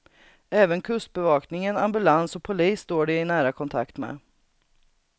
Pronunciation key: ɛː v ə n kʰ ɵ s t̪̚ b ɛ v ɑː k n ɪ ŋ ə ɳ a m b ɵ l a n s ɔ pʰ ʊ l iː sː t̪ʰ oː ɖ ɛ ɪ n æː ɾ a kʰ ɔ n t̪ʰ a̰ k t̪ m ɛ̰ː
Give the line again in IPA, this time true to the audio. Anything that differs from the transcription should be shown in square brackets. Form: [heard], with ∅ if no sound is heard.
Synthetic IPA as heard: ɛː v ə n kʰ ɵ s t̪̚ b ɛ v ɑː k n ɪ ŋ ə [n] a m b ɵ l a n s ɔ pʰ ʊ l iː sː [t̪] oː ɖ ɛ ɪ n æː ɾ a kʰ ɔ n t̪ʰ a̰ k t̪ m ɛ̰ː

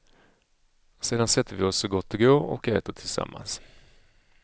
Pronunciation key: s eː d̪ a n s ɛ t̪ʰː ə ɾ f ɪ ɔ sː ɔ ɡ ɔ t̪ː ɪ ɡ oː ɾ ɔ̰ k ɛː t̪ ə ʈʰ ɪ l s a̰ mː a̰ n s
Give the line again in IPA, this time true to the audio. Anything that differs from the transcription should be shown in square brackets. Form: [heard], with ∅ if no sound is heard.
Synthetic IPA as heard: s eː d̪ a n s ɛ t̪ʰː ə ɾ [v] ɪ ɔ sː ɔ ɡ ɔ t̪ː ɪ ɡ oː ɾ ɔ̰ k ɛː t̪ ə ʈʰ ɪ l s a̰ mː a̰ n s

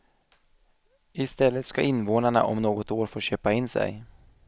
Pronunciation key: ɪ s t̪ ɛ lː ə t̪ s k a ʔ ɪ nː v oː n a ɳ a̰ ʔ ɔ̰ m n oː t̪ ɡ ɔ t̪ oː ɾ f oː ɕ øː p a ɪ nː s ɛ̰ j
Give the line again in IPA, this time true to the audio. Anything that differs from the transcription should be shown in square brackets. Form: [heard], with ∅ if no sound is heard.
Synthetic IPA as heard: ɪ s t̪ ɛ lː ə t̪ s k a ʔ ɪ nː v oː n a ɳ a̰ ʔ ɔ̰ m n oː [∅] ɡ ɔ t̪ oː ɾ f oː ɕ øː p a ɪ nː s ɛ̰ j

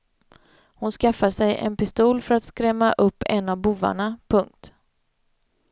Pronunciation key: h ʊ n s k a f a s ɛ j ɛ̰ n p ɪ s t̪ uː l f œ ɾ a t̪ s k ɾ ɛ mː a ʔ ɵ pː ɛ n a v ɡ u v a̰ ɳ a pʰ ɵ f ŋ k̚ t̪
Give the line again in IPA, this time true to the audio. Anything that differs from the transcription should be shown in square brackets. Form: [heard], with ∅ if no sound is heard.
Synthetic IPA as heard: h ʊ n s k a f a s ɛ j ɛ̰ n p ɪ s t̪ uː l f œ ɾ a t̪ s k ɾ ɛ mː a ʔ ɵ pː ɛ n a v [b] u v a̰ ɳ a pʰ ɵ [∅] ŋ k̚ t̪

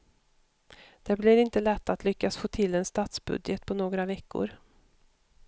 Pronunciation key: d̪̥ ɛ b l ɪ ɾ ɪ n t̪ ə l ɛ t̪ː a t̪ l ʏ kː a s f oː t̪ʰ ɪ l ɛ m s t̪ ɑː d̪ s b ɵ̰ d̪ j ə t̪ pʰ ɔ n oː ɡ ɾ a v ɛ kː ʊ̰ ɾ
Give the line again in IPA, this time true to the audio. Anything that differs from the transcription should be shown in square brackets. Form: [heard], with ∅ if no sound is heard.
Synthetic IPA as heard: d̪̥ ɛ b l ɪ ɾ ɪ n t̪ ə l ɛ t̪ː a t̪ l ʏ kː a s f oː t̪ʰ ɪ l ɛ [n] s t̪ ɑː [t̪] s b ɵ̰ d̪ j ə t̪ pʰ ɔ n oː ɡ ɾ a v ɛ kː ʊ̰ ɾ

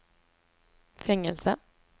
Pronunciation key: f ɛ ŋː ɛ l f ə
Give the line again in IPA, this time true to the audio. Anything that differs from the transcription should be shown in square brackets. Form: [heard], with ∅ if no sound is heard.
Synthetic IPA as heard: f ɛ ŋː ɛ l [s] ə

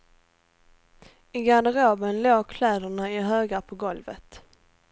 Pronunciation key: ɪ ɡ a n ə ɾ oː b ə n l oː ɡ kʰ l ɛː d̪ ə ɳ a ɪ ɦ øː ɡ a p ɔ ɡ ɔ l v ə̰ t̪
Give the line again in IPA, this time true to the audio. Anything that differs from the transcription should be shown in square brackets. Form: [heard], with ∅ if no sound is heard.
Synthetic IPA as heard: ɪ ɡ a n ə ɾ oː b ə n l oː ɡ kʰ l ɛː d̪ ə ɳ a ɪ ɦ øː ɡ a [pʰ] ɔ ɡ ɔ l v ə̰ t̪

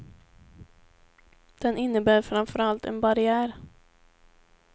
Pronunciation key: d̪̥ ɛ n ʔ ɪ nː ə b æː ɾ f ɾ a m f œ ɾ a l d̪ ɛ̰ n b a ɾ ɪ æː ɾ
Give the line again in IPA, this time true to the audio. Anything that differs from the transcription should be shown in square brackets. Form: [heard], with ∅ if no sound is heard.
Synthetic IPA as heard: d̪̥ ɛ n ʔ ɪ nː ə b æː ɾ f ɾ a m f œ ɾ a l [t̪] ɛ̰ n b a ɾ ɪ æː ɾ

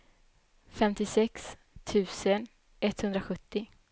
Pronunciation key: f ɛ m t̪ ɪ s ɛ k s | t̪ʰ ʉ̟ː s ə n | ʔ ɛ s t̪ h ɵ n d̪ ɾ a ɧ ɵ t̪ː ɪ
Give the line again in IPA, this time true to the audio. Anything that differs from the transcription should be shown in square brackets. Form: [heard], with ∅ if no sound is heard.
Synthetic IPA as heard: f ɛ m t̪ ɪ s ɛ k s | t̪ʰ ʉ̟ː s ə n | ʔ ɛ [∅] t̪ h ɵ n d̪ ɾ a ɧ ɵ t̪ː ɪ

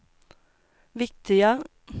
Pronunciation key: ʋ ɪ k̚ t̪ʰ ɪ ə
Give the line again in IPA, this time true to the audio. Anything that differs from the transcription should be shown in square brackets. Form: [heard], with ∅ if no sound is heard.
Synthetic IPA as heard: ʋ ɪ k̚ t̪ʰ ɪ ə

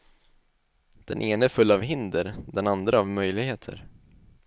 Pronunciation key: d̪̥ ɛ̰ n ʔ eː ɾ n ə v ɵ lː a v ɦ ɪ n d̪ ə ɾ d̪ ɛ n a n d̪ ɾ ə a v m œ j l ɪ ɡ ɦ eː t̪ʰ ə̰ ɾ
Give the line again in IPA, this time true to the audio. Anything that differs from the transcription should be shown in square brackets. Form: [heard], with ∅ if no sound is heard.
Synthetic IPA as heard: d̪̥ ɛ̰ n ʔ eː [∅] n ə [f] ɵ lː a v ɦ ɪ n d̪ ə ɾ d̪ ɛ n a n d̪ ɾ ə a v m œ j l ɪ ɡ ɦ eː t̪ʰ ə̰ ɾ

